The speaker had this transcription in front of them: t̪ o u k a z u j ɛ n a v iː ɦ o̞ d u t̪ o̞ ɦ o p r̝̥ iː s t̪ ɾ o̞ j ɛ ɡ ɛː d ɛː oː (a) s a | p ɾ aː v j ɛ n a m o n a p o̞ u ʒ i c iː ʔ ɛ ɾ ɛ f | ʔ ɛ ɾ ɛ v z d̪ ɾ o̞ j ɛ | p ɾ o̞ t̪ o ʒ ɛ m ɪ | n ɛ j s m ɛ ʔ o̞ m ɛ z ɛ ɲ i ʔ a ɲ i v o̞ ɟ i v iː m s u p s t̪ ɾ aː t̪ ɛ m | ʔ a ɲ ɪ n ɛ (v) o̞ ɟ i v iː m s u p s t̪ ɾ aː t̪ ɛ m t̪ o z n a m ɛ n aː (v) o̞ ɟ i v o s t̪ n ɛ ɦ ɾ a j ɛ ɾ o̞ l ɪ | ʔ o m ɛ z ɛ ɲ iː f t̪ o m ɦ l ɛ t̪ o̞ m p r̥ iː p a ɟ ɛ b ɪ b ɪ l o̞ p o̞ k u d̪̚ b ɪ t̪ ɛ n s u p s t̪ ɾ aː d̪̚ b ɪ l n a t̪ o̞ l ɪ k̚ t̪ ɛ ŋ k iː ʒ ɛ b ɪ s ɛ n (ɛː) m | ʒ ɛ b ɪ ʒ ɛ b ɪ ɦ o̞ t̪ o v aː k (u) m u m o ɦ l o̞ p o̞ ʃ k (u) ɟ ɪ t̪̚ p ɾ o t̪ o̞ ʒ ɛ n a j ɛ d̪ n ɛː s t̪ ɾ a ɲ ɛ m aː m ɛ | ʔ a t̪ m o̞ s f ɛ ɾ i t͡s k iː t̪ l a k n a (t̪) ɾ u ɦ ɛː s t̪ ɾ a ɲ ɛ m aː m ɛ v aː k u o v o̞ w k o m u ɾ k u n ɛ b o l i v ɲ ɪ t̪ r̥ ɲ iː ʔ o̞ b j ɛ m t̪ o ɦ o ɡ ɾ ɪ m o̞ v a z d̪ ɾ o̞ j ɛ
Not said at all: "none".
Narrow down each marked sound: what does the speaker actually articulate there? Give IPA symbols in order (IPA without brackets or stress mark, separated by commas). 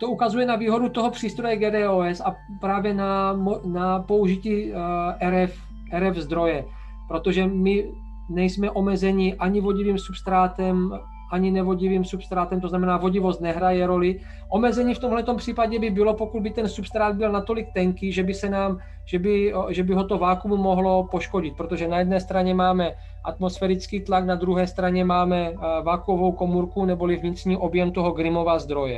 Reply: ɛ, v, v, aː, u, o, d̪